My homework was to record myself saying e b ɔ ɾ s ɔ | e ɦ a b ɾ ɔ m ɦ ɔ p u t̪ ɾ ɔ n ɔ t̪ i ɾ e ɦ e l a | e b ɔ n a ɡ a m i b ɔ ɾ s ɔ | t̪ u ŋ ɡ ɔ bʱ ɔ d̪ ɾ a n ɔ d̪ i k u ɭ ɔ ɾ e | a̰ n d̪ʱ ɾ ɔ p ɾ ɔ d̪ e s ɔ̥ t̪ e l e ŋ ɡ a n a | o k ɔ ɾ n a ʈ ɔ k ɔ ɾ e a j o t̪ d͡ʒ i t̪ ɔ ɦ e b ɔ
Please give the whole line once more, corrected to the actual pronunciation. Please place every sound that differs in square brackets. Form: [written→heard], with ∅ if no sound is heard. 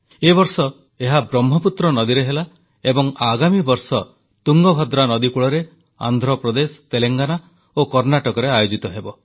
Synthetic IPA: e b ɔ ɾ s ɔ | e ɦ a b ɾ ɔ m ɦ ɔ p u t̪ ɾ ɔ n ɔ [t̪→d̪] i ɾ e ɦ e l a | e b ɔ [n→ŋ] a ɡ a m i b ɔ ɾ s ɔ | t̪ u ŋ ɡ ɔ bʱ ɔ d̪ ɾ a n ɔ d̪ i k u ɭ ɔ ɾ e | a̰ n d̪ʱ ɾ ɔ p ɾ ɔ d̪ e s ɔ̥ t̪ e l e ŋ ɡ a n a | o k ɔ ɾ n a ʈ ɔ k ɔ ɾ e a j o [t̪→∅] d͡ʒ i t̪ ɔ ɦ e b ɔ